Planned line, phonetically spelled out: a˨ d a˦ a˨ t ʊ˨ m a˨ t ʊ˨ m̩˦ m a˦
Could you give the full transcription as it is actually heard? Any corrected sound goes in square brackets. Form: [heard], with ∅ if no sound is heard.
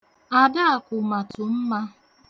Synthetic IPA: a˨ d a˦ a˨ [k] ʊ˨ m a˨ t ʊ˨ m̩˦ m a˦

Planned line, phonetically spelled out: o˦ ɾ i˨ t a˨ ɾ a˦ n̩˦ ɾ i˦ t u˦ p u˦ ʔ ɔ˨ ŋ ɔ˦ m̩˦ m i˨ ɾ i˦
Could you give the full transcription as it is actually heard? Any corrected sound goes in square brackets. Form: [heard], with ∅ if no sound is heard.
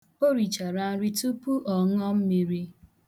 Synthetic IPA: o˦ ɾ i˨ [t͡ʃ] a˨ ɾ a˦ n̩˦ ɾ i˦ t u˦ p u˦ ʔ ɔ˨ ŋ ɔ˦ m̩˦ m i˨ ɾ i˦

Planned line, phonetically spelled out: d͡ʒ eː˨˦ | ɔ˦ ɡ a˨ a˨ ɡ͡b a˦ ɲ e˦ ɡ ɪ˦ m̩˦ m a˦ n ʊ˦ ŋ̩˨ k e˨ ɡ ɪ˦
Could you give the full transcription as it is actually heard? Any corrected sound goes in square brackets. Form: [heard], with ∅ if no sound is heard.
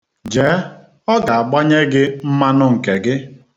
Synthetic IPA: d͡ʒ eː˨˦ | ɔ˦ ɡ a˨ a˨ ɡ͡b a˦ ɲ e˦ ɡ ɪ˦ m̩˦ m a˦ n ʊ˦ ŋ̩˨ k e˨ ɡ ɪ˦

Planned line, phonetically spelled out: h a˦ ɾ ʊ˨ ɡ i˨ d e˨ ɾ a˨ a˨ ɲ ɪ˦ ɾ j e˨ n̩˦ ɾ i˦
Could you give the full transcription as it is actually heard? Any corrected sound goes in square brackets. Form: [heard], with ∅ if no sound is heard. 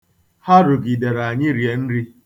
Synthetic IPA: h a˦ ɾ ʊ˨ ɡ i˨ d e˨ ɾ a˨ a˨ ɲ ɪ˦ ɾ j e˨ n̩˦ ɾ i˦

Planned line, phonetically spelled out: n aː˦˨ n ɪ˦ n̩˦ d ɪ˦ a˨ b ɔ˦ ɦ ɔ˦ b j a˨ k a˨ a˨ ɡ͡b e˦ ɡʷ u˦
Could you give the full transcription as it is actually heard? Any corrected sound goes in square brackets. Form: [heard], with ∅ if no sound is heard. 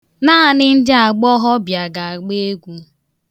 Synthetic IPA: n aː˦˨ n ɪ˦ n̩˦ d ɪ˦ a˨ [ɡ͡b] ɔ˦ ɦ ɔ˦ b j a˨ [ɡ] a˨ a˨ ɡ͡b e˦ ɡʷ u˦

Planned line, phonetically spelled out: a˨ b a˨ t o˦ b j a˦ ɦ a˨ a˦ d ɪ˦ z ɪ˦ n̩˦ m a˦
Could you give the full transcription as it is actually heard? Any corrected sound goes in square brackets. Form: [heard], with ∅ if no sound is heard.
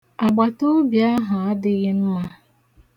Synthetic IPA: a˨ [ɡ͡b] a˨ t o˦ b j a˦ ɦ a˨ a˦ d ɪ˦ [ɣ] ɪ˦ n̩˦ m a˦

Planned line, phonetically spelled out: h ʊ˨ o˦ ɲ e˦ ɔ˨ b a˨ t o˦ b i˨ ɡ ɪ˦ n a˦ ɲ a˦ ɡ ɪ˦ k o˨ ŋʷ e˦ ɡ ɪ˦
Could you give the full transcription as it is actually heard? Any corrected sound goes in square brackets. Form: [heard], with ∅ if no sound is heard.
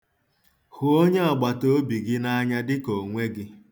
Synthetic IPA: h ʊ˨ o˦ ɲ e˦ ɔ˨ [ɡ͡b] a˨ t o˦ b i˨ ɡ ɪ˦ n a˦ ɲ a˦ [d] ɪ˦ k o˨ ŋʷ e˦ ɡ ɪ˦

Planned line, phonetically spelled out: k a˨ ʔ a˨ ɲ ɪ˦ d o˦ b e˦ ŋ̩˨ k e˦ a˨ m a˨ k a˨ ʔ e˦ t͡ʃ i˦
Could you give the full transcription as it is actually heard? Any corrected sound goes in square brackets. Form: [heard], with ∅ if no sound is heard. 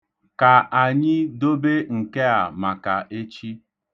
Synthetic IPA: k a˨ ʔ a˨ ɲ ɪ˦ d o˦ b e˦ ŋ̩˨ k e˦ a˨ m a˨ k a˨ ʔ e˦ t͡ʃ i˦

